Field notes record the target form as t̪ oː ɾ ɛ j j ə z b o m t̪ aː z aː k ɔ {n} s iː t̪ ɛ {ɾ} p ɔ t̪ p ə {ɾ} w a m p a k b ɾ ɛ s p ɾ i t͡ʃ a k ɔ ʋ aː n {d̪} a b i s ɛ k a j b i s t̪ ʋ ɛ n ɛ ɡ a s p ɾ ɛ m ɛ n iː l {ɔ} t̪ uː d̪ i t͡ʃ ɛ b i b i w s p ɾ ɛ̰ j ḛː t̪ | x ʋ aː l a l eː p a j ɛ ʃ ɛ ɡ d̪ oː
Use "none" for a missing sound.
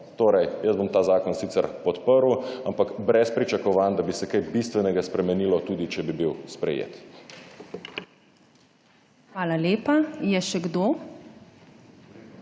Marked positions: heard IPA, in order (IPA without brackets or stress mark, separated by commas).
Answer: n, ɾ, ɾ, d̪, ɔ